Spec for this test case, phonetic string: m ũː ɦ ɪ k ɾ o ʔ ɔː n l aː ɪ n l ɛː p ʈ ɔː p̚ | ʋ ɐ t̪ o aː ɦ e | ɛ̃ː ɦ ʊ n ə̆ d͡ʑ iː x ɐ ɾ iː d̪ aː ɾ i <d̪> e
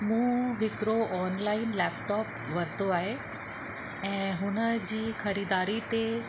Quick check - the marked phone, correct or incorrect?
incorrect